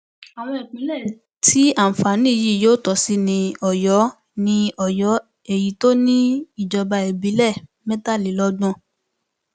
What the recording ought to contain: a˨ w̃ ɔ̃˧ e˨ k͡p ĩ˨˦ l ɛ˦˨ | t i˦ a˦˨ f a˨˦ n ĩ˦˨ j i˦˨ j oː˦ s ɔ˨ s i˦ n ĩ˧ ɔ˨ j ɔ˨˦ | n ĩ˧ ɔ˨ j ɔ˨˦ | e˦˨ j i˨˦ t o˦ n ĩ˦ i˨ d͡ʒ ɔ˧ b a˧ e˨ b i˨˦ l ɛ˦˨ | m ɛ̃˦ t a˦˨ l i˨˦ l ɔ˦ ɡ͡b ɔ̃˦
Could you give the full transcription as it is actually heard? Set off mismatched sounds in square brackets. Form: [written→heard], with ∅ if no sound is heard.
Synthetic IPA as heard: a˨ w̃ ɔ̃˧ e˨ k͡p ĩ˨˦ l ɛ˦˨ | t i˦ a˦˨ f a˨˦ n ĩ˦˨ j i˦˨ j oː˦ [s→t] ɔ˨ s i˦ n ĩ˧ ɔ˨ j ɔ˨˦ | n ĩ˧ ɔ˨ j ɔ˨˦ | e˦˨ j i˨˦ t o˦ n ĩ˦ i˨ d͡ʒ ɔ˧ b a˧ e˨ b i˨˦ l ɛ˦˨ | m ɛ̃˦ t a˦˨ l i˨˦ l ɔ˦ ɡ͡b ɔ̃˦